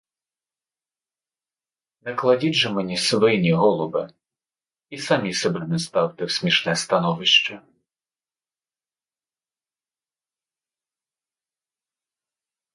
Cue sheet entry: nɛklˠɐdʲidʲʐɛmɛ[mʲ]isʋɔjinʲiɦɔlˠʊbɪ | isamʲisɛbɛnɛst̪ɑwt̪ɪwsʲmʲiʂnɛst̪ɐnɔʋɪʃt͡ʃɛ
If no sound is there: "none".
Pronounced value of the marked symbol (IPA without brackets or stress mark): nʲ